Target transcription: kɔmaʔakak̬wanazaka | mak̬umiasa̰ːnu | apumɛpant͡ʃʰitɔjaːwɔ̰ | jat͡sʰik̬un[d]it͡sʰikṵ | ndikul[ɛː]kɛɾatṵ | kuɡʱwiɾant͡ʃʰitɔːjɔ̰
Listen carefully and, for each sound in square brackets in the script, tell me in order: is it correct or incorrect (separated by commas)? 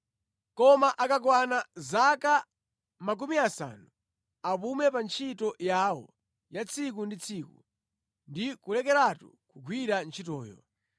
correct, incorrect